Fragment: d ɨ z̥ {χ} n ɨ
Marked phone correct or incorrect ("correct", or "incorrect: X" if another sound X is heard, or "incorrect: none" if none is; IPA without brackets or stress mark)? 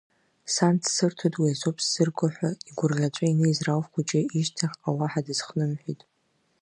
correct